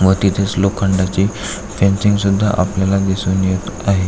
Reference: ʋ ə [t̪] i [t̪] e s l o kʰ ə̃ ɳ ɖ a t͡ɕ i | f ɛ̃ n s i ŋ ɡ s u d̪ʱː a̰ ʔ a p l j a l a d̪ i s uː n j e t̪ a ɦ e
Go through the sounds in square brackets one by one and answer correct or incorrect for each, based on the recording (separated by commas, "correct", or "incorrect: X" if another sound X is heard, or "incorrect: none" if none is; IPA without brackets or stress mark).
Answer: correct, incorrect: t̪ʰ